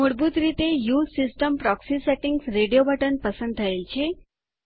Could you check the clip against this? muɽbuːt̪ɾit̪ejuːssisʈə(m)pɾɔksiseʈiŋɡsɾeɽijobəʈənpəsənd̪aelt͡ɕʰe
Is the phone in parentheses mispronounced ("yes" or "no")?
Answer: no